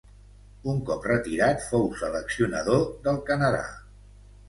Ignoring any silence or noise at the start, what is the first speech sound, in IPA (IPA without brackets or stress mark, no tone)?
u